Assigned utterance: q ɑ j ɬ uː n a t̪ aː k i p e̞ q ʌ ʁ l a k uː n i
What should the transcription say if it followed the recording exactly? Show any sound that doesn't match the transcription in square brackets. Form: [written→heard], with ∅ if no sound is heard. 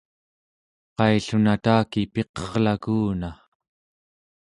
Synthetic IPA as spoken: q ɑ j ɬ [uː→u] n a t̪ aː k i p e̞ q ʌ ʁ l a k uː n [i→a]